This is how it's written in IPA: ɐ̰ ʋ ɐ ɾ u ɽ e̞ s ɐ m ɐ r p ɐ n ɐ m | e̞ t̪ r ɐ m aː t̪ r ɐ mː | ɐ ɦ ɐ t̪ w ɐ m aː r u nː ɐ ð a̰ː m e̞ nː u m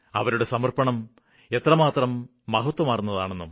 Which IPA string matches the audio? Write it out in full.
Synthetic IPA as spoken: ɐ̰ ʋ ɐ ɾ u ɽ e̞ s ɐ m ɐ r p ɐ ɳ ɐ m | e̞ t̪ r ɐ m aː t̪ r ɐ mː | ɐ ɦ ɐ t̪ w ɐ m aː r u nː ɐ ð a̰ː ɳ e̞ nː u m